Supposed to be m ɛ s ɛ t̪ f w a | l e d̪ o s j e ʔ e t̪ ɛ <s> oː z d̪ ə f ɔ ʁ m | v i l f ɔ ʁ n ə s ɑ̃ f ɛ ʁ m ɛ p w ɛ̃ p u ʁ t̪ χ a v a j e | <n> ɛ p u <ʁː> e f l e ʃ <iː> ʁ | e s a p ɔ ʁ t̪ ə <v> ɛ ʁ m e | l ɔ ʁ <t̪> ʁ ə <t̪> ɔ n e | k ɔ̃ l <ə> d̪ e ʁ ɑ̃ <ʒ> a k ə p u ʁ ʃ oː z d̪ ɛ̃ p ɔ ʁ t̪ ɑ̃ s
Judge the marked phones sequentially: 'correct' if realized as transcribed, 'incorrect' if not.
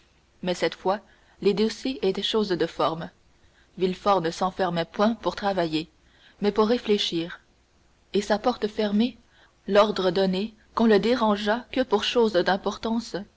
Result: incorrect, incorrect, correct, correct, incorrect, incorrect, incorrect, correct, correct

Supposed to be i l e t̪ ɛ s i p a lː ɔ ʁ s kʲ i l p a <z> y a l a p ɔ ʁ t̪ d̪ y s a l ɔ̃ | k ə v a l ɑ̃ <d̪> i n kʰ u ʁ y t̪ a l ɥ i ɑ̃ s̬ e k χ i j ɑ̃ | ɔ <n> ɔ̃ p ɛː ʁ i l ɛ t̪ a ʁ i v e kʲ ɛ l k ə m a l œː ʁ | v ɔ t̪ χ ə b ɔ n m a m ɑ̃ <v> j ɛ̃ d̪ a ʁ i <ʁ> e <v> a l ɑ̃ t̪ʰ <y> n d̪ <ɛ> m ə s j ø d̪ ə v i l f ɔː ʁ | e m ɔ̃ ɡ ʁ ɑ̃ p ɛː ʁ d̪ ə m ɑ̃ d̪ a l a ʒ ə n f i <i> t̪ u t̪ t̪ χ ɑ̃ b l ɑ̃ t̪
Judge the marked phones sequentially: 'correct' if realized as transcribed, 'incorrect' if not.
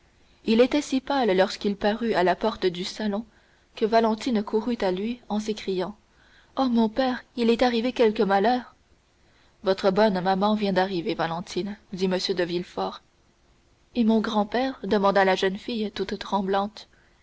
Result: incorrect, incorrect, incorrect, correct, incorrect, correct, incorrect, incorrect, incorrect

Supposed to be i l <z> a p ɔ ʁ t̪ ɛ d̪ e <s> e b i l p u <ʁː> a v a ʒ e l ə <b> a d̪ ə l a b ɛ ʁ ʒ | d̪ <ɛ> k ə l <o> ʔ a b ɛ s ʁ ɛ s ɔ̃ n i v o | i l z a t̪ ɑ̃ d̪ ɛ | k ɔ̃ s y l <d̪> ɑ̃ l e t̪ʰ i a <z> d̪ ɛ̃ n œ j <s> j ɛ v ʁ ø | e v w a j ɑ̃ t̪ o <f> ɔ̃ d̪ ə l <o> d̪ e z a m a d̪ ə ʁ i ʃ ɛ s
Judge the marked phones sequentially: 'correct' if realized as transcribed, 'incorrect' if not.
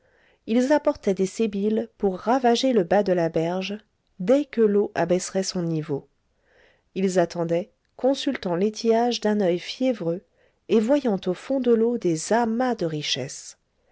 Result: correct, correct, correct, correct, correct, correct, incorrect, incorrect, incorrect, correct, correct

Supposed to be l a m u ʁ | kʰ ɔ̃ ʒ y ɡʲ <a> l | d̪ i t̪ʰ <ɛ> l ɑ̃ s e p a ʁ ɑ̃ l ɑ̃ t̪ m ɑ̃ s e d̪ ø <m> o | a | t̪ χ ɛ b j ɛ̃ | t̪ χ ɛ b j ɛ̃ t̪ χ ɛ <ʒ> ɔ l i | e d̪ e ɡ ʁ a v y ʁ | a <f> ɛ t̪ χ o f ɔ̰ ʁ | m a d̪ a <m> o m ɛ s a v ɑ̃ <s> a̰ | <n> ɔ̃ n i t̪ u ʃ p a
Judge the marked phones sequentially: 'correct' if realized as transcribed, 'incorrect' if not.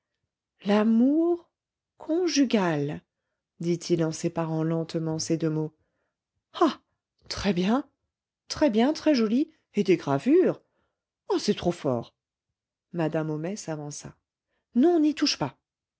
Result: correct, incorrect, correct, correct, incorrect, correct, correct, correct

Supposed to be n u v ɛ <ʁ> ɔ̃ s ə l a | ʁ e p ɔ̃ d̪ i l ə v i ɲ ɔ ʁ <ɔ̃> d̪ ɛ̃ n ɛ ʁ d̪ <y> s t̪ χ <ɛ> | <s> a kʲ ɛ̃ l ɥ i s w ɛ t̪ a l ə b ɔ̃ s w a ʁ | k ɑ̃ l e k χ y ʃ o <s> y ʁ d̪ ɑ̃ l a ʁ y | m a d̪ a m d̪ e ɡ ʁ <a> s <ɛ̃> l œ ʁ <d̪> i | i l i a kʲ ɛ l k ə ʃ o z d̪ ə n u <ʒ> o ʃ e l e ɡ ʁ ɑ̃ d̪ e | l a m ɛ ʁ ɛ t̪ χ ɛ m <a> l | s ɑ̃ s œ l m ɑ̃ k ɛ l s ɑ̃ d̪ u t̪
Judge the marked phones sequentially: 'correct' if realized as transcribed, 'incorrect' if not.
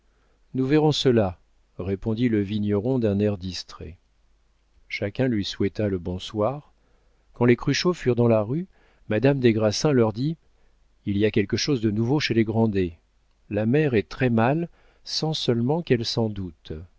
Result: correct, correct, incorrect, correct, incorrect, incorrect, correct, correct, correct, incorrect, correct

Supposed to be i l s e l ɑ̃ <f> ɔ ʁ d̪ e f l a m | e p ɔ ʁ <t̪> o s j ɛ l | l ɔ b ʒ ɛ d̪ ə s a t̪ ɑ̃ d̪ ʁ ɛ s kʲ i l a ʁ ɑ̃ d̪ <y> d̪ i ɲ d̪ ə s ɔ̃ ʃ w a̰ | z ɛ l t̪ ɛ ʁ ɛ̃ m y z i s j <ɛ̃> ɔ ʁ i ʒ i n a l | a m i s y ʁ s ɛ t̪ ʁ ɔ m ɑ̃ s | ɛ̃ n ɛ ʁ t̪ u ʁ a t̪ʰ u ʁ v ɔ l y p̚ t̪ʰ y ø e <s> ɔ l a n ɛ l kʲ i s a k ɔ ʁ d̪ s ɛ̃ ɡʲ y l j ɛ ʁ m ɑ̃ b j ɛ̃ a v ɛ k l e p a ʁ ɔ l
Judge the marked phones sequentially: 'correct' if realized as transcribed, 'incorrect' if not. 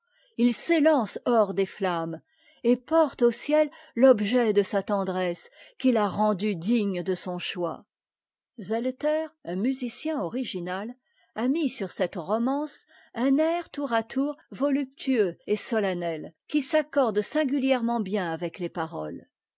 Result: incorrect, correct, correct, correct, correct

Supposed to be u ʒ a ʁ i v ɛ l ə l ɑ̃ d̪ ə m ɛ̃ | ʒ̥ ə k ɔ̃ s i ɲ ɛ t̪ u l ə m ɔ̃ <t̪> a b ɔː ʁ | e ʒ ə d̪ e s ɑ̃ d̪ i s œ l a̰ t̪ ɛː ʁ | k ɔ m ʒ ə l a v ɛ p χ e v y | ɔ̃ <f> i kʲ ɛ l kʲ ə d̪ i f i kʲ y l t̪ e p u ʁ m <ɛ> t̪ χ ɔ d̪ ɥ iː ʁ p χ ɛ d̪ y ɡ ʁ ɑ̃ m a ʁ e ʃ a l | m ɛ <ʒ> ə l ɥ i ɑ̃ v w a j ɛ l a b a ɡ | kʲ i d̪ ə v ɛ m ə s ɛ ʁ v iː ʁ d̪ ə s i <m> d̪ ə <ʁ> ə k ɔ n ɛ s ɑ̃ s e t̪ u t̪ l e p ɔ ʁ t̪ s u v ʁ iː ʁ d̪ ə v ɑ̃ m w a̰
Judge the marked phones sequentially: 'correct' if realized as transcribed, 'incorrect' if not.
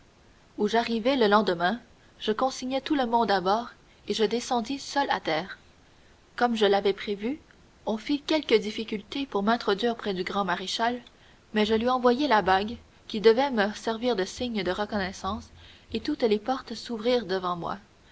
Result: incorrect, correct, incorrect, correct, incorrect, correct

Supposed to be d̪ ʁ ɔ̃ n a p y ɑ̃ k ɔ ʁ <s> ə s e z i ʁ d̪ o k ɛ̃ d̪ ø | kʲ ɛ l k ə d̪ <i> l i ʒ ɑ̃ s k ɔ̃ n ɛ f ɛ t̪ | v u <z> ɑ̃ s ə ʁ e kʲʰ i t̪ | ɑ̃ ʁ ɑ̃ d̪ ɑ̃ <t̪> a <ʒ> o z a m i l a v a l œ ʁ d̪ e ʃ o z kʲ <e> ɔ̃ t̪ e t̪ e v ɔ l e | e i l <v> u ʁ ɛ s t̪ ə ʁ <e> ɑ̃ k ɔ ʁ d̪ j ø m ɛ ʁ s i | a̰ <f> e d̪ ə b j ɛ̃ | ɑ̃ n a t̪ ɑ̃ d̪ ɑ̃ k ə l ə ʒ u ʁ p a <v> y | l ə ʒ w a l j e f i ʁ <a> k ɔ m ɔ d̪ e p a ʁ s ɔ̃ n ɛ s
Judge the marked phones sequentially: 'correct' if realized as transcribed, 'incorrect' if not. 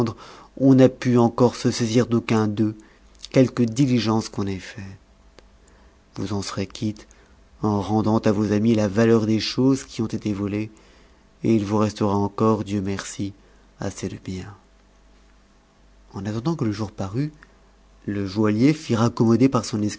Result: correct, correct, correct, correct, incorrect, incorrect, correct, incorrect, incorrect, incorrect, correct

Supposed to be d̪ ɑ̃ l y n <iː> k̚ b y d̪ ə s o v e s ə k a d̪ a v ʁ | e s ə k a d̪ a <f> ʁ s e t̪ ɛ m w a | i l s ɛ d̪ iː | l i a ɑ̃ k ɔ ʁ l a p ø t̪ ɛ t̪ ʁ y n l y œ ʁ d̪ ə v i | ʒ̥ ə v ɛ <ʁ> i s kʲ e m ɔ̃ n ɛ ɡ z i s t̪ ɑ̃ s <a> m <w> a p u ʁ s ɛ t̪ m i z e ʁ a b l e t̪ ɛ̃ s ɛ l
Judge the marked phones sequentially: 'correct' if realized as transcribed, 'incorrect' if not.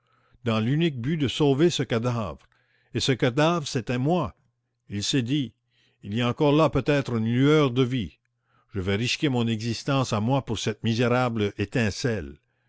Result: incorrect, incorrect, correct, correct, correct

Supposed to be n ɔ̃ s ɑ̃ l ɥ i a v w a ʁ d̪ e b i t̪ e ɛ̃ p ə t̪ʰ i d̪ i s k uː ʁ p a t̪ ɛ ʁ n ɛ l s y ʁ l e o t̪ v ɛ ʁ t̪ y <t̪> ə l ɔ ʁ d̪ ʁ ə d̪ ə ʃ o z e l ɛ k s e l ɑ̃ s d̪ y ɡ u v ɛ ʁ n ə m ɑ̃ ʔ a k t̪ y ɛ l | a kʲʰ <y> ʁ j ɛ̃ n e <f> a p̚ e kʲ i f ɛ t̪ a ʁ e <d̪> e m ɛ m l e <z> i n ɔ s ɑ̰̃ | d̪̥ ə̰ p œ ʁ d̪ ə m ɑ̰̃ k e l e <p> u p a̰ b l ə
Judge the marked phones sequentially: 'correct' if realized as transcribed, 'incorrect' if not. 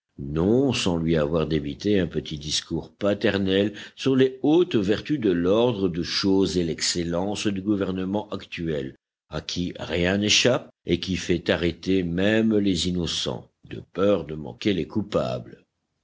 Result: incorrect, incorrect, incorrect, incorrect, correct, incorrect

